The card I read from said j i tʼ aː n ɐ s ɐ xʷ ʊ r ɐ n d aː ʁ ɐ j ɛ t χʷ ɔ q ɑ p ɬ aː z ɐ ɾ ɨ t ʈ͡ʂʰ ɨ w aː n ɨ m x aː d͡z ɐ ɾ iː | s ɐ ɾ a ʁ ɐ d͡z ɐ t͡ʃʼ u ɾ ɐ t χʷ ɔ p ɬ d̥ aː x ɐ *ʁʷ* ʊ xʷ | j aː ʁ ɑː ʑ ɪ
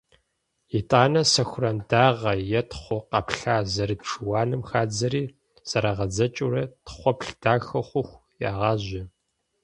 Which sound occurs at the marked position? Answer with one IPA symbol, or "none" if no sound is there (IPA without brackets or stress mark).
χʷ